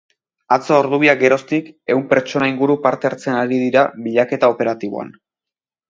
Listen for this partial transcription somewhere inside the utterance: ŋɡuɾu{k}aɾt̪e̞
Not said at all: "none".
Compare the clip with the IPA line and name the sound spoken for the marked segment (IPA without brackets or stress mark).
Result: p